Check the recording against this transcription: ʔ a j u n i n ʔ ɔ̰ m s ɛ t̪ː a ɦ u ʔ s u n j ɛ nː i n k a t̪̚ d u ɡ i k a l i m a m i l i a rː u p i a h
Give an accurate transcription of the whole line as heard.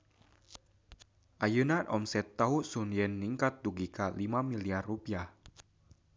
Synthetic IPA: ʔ a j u n a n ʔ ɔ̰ m s ɛ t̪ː a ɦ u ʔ s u n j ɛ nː i ŋ k a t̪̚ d u ɡ i k a l i m a m i l i a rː u p i a h